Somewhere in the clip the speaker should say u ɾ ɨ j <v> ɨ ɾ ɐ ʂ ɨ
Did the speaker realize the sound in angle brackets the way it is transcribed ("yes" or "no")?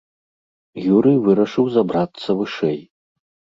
yes